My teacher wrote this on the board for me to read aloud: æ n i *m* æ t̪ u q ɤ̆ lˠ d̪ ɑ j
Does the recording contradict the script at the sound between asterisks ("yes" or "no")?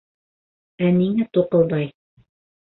yes